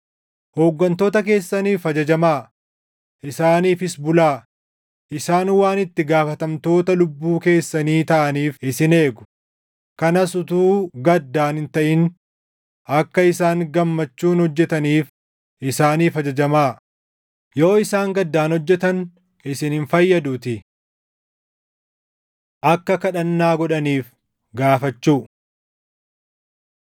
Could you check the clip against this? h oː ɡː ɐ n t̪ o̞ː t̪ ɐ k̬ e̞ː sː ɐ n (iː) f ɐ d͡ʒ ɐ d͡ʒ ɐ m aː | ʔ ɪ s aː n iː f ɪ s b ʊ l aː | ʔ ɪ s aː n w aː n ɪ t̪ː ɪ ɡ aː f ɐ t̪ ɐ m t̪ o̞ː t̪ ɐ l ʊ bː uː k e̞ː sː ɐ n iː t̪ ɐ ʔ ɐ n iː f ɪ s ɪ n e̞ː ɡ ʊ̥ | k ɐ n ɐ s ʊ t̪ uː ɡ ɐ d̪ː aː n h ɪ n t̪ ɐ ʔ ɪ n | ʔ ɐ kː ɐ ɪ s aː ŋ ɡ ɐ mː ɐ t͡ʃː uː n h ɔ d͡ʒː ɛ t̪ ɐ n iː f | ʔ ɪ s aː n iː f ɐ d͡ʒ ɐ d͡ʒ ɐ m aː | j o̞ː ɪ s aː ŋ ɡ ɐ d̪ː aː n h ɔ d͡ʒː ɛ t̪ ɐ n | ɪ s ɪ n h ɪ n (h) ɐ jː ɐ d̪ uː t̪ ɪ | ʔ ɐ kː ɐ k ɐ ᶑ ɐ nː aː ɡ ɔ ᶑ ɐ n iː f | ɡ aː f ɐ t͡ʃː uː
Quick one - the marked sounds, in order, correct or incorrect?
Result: correct, incorrect

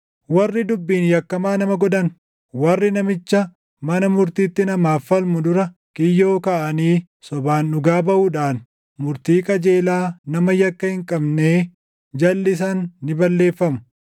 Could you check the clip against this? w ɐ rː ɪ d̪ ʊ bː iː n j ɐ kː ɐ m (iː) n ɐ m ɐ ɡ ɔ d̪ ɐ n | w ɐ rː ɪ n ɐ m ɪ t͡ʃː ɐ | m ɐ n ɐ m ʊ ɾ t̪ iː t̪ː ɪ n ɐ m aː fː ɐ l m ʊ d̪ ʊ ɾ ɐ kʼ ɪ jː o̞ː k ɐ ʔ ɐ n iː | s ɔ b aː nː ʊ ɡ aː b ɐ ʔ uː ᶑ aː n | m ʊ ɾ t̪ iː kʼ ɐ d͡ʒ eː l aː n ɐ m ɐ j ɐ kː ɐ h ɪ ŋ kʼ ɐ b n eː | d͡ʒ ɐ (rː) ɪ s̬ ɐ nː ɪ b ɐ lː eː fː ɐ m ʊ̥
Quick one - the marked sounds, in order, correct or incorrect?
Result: incorrect, incorrect

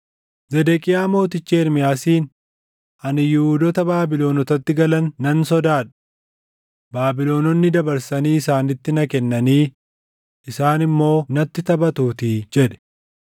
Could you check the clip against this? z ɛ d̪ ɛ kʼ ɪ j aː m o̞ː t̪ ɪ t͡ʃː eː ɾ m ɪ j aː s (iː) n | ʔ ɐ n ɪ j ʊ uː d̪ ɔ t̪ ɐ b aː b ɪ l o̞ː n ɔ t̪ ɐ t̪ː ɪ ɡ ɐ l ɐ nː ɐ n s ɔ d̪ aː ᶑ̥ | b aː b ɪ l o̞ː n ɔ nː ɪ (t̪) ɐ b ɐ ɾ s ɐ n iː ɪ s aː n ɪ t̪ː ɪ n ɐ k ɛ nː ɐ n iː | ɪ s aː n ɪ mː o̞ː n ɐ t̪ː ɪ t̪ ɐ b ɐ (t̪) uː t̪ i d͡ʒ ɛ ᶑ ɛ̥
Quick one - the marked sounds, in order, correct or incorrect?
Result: correct, incorrect, correct

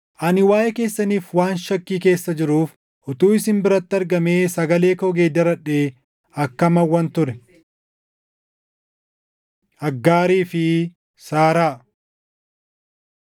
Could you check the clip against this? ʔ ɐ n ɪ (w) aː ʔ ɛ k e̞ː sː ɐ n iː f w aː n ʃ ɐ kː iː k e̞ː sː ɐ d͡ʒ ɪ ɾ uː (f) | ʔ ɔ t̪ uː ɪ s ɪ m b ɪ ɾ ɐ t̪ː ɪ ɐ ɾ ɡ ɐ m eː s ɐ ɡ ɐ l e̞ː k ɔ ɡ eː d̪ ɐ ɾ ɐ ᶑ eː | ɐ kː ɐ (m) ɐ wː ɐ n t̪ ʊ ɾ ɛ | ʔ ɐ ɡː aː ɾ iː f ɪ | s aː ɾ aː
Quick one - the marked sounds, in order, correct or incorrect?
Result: correct, correct, correct

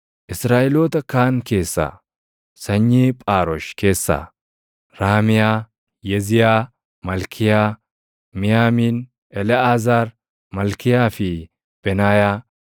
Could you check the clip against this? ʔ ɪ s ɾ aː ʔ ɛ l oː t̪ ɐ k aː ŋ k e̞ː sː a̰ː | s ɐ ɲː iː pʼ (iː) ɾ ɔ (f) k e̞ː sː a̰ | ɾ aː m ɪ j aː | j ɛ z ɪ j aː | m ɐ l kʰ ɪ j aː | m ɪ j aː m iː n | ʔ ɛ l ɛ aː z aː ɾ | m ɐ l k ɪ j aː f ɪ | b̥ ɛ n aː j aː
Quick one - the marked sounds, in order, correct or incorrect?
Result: incorrect, incorrect

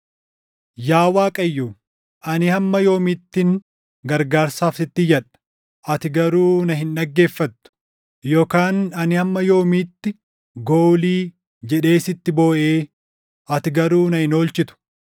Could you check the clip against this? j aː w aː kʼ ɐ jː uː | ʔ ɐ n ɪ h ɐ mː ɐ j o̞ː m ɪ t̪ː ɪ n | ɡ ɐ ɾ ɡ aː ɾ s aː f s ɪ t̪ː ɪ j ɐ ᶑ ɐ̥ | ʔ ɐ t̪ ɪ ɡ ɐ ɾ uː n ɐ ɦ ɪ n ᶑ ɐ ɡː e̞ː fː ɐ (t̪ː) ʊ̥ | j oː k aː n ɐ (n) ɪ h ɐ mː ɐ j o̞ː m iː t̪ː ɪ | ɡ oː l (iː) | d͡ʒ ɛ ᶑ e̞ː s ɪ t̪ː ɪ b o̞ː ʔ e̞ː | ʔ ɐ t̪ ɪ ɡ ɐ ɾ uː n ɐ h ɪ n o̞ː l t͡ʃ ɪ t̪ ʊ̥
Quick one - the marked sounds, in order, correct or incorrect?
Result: correct, correct, correct

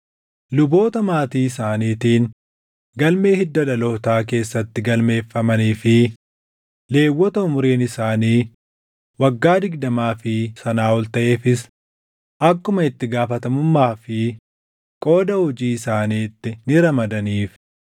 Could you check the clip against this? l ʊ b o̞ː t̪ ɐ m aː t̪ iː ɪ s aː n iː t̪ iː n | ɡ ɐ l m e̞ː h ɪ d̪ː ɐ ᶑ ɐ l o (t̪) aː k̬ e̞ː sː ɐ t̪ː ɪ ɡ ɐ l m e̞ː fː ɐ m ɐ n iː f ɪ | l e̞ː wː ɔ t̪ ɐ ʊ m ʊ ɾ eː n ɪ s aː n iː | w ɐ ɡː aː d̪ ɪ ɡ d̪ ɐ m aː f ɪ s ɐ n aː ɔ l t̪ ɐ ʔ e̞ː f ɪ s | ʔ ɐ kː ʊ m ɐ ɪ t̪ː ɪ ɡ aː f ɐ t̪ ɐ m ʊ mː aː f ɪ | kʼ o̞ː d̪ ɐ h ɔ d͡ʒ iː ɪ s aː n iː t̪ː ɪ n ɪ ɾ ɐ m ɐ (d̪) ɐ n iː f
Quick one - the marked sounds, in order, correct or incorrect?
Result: correct, correct

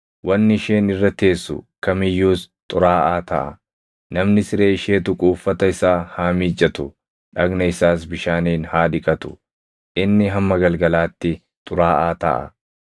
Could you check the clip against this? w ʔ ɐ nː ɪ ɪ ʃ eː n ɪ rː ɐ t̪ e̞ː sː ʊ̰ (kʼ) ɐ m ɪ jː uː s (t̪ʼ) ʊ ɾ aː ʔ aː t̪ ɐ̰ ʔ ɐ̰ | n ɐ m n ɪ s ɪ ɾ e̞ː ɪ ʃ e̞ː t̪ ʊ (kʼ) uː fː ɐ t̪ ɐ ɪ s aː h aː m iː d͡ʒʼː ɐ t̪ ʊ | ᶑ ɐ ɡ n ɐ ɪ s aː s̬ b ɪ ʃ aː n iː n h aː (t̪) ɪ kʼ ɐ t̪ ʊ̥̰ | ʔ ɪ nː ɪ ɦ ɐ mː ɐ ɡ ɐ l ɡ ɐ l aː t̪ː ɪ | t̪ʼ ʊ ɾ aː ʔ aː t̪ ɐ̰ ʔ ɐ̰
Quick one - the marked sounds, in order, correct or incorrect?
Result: incorrect, correct, correct, incorrect

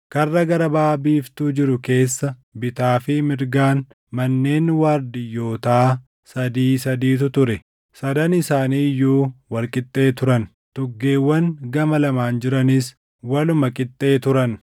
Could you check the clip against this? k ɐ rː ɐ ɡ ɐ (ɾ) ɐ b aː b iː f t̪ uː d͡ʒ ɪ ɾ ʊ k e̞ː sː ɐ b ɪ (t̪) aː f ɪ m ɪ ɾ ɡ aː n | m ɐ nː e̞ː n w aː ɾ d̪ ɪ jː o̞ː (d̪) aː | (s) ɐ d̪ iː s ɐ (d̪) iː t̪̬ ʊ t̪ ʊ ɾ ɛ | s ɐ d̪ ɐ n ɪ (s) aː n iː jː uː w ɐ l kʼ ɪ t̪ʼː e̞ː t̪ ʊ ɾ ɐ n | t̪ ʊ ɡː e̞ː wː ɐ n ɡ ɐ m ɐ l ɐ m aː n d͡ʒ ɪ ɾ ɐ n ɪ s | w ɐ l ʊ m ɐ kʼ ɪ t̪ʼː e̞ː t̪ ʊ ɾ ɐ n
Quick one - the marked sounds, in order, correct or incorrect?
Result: correct, correct, incorrect, correct, correct, correct

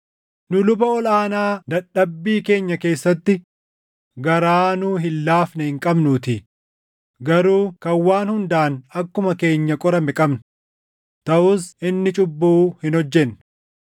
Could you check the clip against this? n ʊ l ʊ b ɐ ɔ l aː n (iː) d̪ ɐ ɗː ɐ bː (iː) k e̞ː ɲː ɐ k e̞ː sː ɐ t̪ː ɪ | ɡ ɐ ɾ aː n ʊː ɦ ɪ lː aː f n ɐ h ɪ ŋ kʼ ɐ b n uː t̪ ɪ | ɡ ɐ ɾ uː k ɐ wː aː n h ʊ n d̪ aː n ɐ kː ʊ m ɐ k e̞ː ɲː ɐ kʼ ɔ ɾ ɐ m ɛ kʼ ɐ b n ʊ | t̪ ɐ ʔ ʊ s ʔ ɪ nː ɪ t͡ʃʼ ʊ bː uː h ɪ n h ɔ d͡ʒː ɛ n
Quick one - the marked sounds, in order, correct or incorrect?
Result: incorrect, correct

